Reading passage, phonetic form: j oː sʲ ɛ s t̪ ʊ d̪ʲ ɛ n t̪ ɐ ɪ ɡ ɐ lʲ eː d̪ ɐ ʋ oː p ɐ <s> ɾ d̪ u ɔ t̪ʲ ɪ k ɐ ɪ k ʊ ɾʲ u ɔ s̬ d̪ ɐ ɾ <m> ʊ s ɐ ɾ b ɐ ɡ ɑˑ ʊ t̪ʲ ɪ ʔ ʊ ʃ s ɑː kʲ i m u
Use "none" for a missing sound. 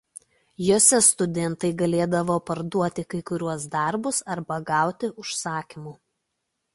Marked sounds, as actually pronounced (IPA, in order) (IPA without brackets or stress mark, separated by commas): none, b